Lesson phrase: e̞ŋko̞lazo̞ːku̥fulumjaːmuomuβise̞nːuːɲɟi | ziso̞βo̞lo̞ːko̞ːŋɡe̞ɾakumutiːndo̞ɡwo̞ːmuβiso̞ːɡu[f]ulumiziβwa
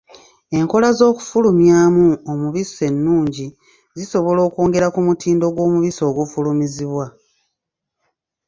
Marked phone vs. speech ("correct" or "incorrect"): correct